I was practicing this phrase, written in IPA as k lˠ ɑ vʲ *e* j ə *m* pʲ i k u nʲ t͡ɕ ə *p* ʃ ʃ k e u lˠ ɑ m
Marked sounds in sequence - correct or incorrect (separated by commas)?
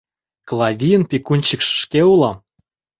incorrect, incorrect, incorrect